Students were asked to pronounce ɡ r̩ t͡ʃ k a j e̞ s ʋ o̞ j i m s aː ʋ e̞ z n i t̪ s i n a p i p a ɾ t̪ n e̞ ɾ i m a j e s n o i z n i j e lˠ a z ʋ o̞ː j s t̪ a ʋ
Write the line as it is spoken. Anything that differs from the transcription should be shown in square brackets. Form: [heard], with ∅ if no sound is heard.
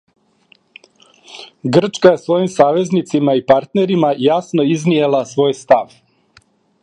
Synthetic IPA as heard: ɡ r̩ t͡ʃ k a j e̞ s ʋ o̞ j i m s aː ʋ e̞ z n i t̪ s i [m] a [∅] i p a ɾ t̪ n e̞ ɾ i m a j [a] s n o i z n i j e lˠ a [s] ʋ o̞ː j s t̪ a ʋ